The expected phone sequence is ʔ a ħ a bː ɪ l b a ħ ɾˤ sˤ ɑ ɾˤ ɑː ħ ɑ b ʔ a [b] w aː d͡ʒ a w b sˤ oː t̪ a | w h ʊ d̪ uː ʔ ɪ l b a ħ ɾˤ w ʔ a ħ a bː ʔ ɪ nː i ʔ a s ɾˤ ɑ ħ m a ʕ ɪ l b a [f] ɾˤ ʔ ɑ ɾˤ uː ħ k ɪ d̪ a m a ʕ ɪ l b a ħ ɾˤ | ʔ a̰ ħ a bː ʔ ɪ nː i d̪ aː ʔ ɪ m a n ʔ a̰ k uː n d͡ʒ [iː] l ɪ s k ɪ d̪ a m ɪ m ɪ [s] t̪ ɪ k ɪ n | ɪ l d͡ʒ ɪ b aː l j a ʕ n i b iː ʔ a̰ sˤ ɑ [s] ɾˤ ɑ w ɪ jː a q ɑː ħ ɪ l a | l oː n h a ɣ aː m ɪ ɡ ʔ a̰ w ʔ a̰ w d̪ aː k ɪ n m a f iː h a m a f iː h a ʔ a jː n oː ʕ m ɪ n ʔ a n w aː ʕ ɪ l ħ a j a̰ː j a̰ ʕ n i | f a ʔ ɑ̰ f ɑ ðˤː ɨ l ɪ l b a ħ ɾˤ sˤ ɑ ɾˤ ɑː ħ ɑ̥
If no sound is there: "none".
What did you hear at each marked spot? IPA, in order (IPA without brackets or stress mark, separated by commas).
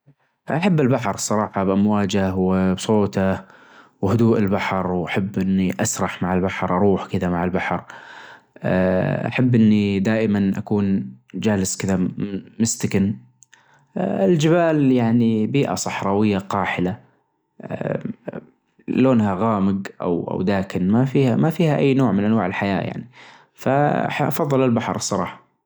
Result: m, ħ, aː, s, ħ